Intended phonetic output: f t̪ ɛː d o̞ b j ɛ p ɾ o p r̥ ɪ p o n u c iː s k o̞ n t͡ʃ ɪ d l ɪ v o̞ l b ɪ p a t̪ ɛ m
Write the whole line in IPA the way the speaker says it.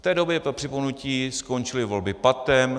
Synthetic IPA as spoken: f t̪ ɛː d o̞ b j ɛ p ɾ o p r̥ ɪ p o n u c iː s k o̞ n t͡ʃ ɪ l ɪ v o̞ l b ɪ p a t̪ ɛ m